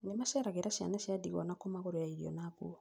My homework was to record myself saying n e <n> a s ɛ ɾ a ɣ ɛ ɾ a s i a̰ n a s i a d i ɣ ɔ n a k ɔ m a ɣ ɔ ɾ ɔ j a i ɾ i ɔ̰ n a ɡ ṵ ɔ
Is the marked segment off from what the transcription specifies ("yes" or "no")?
yes